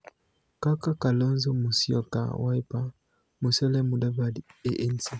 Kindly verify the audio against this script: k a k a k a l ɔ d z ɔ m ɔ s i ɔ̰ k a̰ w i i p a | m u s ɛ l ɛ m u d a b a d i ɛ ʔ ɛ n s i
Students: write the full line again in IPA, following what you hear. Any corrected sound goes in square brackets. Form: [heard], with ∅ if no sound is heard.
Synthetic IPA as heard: k a k a k a l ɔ [n] z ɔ m [u] s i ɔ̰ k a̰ w [a] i p a | m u s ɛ l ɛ m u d a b a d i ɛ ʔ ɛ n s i